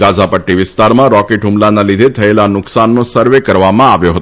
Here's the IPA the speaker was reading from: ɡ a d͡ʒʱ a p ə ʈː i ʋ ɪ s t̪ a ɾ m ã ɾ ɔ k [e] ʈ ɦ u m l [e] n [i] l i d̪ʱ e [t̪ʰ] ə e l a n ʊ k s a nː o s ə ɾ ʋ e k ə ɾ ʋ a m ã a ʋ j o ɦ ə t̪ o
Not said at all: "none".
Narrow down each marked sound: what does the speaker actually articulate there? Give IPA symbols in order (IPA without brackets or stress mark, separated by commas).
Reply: e, a, a, t̪ʰ